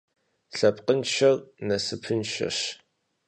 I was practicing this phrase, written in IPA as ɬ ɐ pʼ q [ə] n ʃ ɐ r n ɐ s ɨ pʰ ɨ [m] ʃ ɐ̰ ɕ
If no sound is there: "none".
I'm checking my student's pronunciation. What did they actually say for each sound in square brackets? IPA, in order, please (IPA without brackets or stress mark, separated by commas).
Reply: ə, n